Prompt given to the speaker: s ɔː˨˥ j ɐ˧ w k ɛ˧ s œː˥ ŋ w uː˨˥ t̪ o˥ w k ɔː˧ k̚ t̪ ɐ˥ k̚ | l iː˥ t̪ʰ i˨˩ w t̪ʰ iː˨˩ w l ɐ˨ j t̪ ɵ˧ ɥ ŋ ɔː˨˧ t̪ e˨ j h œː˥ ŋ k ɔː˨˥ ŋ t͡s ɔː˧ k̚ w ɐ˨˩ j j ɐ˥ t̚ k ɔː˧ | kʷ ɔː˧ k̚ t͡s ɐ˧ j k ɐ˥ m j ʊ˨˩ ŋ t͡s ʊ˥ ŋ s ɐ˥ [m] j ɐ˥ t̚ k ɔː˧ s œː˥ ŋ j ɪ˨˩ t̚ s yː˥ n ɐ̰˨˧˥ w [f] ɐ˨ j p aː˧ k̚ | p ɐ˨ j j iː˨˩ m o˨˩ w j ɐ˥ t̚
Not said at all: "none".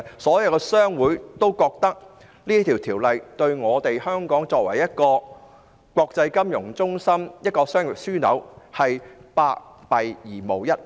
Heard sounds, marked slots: m, h

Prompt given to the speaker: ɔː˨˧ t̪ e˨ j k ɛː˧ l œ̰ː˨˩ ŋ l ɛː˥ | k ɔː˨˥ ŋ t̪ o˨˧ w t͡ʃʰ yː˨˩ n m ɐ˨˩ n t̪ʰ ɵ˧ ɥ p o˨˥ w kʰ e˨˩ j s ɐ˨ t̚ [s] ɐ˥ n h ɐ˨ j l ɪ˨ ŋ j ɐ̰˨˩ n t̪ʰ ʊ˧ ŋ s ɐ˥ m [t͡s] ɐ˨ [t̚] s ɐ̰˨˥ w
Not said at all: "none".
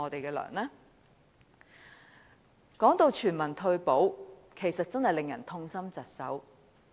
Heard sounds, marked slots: t͡s, t͡s, t̚

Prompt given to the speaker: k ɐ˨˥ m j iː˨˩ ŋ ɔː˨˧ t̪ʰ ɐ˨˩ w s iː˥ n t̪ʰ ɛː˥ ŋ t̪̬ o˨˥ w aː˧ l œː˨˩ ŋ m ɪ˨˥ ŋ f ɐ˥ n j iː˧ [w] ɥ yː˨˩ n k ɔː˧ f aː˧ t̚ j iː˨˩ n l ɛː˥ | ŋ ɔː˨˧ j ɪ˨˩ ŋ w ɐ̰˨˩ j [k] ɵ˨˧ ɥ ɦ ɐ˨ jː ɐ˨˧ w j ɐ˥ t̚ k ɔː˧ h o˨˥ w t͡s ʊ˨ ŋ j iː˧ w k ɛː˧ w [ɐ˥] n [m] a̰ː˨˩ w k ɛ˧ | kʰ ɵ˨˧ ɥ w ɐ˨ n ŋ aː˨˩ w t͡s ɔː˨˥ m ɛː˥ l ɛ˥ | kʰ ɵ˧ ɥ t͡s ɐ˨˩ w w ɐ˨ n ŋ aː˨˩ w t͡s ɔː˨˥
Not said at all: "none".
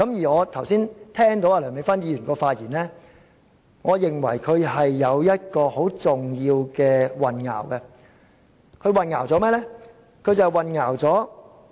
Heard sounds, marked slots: none, kʰ, ɐ˨, ŋ

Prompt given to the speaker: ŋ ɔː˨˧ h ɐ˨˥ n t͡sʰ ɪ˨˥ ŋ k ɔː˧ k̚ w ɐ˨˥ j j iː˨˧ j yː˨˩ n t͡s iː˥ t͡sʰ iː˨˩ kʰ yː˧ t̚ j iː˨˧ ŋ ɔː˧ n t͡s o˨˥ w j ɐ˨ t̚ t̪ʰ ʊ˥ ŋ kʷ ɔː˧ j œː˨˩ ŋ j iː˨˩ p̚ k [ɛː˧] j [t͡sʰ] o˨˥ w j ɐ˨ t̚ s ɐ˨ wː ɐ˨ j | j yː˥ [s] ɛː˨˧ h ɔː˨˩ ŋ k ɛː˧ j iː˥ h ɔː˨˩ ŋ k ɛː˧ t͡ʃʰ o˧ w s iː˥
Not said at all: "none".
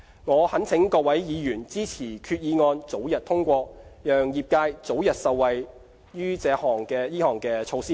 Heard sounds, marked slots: aː˧, t͡s, t͡s

